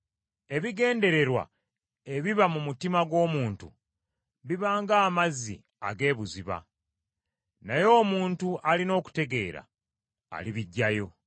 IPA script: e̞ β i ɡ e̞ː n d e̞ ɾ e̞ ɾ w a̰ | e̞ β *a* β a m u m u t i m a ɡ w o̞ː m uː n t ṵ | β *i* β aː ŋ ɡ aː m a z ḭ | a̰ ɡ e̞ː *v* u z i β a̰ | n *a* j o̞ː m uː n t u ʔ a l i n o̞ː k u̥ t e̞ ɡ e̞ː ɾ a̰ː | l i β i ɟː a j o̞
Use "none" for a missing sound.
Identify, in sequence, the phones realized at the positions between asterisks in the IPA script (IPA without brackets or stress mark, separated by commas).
i, i, β, a